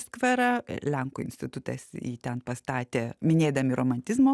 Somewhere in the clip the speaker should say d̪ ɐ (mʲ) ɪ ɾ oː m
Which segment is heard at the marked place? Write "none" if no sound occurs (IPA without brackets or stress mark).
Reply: mʲ